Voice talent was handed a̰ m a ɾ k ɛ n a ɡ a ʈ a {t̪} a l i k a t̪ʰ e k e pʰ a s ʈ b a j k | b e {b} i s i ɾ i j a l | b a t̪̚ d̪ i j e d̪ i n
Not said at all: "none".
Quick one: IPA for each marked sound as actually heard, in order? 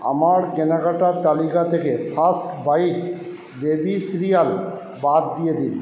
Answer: t̪, b

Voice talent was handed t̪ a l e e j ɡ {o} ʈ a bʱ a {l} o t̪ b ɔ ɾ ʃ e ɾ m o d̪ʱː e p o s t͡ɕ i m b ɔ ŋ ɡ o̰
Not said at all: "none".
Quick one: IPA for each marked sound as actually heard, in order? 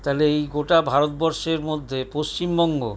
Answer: o, ɾ

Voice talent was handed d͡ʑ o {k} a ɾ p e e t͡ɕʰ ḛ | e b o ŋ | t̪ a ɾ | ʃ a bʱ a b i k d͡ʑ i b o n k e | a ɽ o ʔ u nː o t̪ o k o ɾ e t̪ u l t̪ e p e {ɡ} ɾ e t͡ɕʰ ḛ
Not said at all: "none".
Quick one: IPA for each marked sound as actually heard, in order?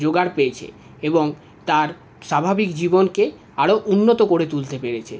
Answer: ɡ, none

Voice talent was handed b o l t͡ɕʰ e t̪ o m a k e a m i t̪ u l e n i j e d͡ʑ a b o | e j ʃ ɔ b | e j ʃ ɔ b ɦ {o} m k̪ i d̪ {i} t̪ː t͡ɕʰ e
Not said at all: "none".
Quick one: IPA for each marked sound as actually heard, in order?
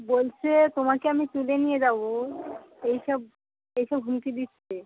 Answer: u, i

